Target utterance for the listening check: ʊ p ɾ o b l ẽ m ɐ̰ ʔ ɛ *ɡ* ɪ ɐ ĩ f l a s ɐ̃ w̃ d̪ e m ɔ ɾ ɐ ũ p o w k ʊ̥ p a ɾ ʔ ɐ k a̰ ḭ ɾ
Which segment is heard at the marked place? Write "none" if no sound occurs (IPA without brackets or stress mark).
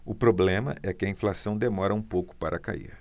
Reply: k